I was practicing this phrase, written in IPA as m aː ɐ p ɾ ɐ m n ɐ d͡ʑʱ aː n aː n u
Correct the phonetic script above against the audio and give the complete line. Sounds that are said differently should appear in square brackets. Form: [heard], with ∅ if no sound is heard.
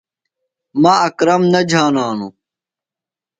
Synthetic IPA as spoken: m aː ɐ [k] ɾ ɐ m n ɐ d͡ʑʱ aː n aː n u